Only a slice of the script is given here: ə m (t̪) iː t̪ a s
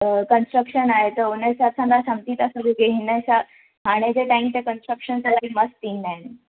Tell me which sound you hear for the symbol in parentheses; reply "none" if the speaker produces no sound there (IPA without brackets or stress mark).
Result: t̪